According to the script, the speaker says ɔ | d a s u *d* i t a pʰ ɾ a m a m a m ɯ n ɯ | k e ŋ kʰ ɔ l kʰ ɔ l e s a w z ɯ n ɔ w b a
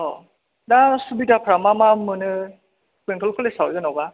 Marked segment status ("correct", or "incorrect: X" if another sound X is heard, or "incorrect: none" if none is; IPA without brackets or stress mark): incorrect: b